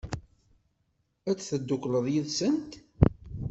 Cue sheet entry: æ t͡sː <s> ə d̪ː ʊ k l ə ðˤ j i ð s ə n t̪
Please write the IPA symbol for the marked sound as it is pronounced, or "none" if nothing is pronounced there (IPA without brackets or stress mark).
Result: θ